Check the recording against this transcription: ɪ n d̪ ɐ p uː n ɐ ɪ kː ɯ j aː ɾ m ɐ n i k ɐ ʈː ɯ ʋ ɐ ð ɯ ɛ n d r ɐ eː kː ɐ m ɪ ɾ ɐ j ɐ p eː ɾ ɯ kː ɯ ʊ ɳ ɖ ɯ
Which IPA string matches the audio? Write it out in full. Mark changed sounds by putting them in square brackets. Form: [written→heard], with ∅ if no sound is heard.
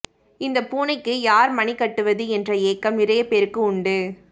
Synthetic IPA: ɪ n d̪ ɐ p uː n ɐ ɪ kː ɯ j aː ɾ m ɐ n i k ɐ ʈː ɯ ʋ ɐ ð ɯ ɛ n d r ɐ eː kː ɐ m ɪ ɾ ɐ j ɐ p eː ɾ ɯ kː ɯ ʊ ɳ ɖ ɯ